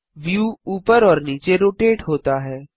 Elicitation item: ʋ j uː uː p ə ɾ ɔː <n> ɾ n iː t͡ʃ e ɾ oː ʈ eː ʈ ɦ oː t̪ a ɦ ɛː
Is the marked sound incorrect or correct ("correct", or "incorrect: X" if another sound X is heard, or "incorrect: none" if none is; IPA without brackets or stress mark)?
incorrect: none